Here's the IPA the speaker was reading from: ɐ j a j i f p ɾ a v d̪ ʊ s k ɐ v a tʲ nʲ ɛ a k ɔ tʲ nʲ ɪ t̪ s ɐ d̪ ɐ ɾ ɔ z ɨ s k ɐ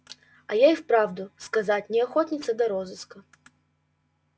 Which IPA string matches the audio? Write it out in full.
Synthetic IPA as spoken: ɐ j a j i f p ɾ a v d̪ ʊ s k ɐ z a tʲ nʲ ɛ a x ɔ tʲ nʲ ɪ t̪ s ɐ d̪ ɐ ɾ ɔ z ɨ s k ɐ

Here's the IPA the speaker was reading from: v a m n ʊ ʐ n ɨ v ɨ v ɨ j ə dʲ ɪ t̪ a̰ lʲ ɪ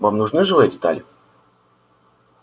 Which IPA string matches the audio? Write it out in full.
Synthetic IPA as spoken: v a m n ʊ ʐ n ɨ ʐ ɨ v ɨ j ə dʲ ɪ t̪ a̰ lʲ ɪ

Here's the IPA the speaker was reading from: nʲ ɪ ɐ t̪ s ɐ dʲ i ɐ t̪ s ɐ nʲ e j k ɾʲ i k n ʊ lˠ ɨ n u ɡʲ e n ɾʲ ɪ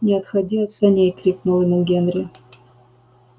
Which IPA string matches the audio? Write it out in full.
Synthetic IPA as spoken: nʲ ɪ ɐ t̪ x ɐ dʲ i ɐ t̪ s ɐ nʲ e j k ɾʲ i k n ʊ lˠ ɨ n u ɡʲ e n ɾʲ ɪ

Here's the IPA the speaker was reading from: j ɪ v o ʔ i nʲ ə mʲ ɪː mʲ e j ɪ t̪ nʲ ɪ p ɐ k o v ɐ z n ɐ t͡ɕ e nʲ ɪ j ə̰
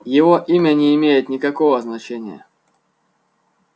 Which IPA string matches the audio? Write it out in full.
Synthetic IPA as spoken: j ɪ v o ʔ i mʲ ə nʲ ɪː mʲ e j ɪ t̪ nʲ ɪ k ɐ k o v ə z n ɐ t͡ɕ e nʲ ɪ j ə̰

